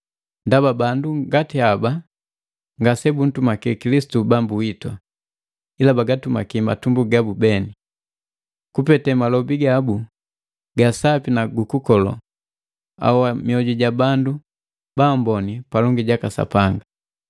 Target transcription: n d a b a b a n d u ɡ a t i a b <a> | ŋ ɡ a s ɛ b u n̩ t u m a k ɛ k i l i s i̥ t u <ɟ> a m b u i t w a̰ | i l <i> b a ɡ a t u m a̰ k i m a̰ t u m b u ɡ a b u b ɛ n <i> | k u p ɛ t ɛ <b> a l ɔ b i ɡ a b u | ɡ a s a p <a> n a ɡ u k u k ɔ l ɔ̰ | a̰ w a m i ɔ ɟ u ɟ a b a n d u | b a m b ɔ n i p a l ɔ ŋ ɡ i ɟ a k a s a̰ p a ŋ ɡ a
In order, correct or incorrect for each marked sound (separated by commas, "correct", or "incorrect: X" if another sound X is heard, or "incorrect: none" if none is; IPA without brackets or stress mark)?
correct, incorrect: b, incorrect: a, correct, incorrect: m, incorrect: i